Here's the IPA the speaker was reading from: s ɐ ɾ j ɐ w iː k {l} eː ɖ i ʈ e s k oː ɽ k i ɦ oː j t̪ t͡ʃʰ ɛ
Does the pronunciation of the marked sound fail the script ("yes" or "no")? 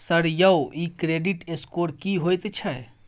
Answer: yes